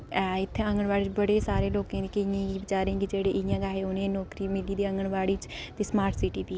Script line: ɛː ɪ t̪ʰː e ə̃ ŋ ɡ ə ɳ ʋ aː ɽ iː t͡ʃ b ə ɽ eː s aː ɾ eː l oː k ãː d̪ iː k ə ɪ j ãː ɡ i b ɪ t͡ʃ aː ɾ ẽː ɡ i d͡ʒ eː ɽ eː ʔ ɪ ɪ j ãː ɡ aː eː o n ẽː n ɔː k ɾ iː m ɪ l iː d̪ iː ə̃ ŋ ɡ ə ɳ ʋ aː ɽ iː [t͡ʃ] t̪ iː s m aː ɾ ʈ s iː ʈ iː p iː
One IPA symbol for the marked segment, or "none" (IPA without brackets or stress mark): t͡ʃ